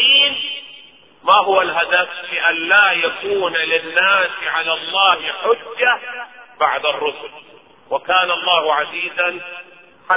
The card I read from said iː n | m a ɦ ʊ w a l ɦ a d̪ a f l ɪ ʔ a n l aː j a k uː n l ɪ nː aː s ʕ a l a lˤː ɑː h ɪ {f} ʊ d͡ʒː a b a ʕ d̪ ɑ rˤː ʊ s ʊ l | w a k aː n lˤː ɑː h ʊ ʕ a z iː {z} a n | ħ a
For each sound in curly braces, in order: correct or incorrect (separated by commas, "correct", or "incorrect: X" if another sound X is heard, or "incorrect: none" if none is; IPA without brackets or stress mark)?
incorrect: ħ, correct